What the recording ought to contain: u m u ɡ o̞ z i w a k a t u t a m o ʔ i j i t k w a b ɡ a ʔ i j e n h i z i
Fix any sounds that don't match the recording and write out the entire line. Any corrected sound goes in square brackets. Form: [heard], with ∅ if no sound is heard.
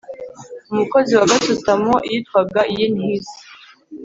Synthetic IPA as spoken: u m u [k] o̞ z i w a [ɡ] a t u t a m o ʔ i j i t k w a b ɡ a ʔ i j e n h i z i